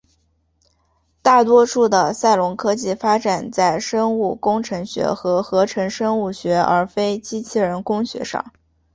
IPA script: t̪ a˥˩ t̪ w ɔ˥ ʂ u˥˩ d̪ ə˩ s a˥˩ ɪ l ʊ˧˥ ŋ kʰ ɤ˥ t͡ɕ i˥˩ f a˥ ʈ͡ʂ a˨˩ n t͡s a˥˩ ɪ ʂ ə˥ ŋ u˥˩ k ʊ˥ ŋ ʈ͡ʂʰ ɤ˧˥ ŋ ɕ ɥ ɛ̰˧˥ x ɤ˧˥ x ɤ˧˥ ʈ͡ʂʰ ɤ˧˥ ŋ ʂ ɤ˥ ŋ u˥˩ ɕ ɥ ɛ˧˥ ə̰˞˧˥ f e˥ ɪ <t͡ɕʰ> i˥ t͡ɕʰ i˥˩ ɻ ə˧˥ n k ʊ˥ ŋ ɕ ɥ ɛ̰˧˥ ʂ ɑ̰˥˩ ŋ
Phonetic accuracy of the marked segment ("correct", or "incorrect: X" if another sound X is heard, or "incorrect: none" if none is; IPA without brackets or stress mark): incorrect: t͡ɕ